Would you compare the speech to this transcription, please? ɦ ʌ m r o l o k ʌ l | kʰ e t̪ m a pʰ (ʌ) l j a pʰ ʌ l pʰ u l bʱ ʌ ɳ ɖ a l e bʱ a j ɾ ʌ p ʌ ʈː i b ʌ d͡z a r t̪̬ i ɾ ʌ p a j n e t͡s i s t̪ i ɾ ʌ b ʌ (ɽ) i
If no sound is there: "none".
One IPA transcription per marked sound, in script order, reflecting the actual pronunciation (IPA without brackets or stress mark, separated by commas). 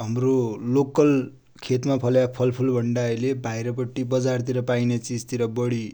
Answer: ʌ, ɽ